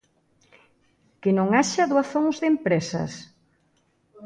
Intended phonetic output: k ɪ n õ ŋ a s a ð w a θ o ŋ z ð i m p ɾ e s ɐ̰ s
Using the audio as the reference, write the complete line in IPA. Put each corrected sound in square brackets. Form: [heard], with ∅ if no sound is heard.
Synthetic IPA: k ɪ n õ ŋ a [ʃ] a ð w a θ o ŋ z ð [e] m p ɾ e s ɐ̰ s

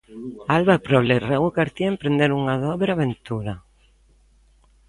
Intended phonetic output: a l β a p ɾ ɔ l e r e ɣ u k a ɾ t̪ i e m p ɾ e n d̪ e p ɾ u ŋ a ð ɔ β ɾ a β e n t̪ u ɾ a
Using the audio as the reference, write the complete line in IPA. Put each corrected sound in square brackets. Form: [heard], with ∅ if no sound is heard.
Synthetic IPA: a l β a p ɾ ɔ l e r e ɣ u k a ɾ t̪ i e m p ɾ e n d̪ e [∅] ɾ u ŋ a ð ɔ β ɾ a β e n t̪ u ɾ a

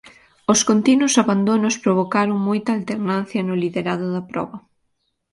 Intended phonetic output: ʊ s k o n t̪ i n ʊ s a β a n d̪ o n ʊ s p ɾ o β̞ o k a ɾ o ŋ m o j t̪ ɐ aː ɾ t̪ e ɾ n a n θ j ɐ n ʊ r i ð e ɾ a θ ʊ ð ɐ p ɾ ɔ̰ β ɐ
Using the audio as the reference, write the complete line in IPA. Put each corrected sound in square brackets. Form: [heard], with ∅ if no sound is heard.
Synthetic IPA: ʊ s k o n t̪ i n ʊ s a β a n d̪ o n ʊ s p ɾ o β̞ o k a ɾ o ŋ m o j t̪ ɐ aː [l] t̪ e ɾ n a n θ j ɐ n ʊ [l] i ð e ɾ a [ð] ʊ ð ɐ p ɾ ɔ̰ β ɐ

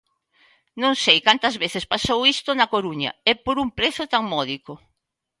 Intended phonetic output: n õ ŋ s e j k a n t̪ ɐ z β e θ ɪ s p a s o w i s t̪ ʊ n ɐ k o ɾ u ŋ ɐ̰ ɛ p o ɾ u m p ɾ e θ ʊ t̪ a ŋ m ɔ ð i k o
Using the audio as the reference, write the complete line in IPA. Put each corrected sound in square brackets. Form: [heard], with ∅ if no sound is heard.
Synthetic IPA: n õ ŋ s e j k a n t̪ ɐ z β e θ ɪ s p a s o w i s t̪ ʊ n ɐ k o ɾ u [ɲ] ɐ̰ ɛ p o ɾ u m p ɾ e θ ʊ t̪ a ŋ m ɔ ð i k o

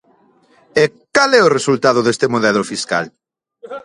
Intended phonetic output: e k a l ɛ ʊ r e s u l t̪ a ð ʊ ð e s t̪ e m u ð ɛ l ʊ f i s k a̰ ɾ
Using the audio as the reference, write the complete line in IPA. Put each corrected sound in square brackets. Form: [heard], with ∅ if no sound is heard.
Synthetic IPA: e k a l ɛ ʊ r e s u l t̪ a ð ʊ ð e s t̪ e m [o] ð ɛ l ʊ f i s k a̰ [l]

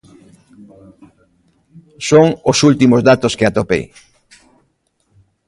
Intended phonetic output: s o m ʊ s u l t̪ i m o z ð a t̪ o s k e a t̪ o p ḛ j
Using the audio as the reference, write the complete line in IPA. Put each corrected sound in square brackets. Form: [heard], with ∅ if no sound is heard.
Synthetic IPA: s o [ŋ] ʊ s u l t̪ i m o z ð a t̪ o s k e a t̪ o p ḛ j

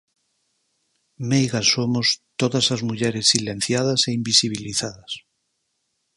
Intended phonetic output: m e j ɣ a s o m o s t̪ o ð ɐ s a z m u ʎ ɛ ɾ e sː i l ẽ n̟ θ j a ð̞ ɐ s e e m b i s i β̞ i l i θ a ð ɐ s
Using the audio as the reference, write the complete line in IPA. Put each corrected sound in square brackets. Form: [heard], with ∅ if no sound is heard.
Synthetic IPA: m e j ɣ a s o m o s t̪ o ð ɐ s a z m u ʎ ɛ ɾ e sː i l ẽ n̟ θ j a ð̞ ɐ s e [i] m b i s i β̞ i l i θ a ð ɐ s

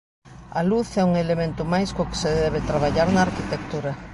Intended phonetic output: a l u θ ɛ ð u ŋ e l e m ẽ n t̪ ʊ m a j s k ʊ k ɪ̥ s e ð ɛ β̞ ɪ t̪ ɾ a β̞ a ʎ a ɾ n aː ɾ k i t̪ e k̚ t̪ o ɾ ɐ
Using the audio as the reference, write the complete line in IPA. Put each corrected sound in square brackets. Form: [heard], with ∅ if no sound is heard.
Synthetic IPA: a l u θ ɛ [∅] u ŋ e l e m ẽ n t̪ ʊ m a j s k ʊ k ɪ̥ s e ð ɛ β̞ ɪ t̪ ɾ a β̞ a ʎ a ɾ n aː ɾ k i t̪ e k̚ t̪ [u] ɾ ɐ

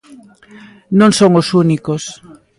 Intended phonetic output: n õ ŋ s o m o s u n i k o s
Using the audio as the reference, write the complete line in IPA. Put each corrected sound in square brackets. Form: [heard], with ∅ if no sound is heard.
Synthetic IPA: n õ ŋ s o [ŋ] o s u n i k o s

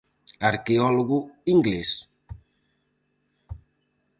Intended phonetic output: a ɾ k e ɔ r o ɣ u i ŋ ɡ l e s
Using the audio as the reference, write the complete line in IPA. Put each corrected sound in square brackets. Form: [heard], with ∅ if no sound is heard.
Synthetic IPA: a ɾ k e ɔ [l] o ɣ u i ŋ ɡ l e s

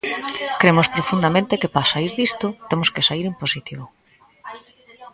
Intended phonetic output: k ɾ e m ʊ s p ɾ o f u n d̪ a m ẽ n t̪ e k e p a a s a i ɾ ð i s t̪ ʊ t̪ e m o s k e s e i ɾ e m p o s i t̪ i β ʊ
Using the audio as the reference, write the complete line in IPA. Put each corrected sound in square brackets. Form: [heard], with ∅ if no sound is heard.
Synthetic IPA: k ɾ e m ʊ s p ɾ o f u n d̪ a m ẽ n t̪ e k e p a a s a i ɾ ð i s t̪ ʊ t̪ e m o s k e s [a] i ɾ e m p o s i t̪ i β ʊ

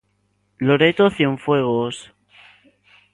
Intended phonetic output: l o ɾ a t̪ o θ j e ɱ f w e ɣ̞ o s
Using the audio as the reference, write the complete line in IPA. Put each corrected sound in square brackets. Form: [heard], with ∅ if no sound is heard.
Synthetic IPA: l o ɾ [e] t̪ o θ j e ɱ f w e ɣ̞ o s

